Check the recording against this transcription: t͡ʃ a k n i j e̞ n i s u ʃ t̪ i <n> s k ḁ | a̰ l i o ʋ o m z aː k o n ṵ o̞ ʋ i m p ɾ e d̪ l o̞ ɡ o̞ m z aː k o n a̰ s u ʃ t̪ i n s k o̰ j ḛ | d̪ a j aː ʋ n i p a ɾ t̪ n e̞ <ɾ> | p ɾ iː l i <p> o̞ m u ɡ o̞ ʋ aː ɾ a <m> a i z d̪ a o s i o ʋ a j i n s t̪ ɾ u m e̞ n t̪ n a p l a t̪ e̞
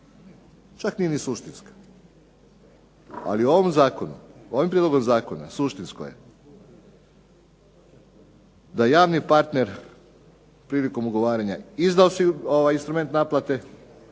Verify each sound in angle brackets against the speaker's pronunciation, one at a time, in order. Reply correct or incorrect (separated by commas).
correct, correct, incorrect, incorrect